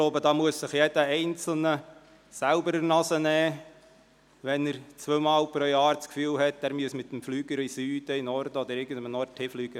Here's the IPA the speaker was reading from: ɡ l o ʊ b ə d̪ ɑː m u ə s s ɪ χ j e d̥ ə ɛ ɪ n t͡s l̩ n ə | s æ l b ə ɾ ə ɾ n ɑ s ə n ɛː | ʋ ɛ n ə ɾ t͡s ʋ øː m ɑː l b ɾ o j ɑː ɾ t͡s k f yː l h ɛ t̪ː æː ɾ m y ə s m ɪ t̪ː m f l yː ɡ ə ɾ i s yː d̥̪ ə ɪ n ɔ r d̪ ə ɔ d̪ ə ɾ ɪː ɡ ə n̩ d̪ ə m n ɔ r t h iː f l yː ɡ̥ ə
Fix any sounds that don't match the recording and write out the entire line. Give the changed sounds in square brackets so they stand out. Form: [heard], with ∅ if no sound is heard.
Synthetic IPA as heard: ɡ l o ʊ b ə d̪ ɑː m u ə s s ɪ χ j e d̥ ə ɛ ɪ n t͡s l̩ n ə | s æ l b ə ɾ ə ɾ n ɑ s ə n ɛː | ʋ ɛ n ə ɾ t͡s ʋ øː m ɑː l [p] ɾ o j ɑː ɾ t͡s k f yː l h ɛ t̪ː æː ɾ m y ə s m ɪ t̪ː m f l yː ɡ ə ɾ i s yː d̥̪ ə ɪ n ɔ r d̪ ə ɔ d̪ ə ɾ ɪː ɡ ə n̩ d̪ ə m n ɔ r t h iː f l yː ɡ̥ ə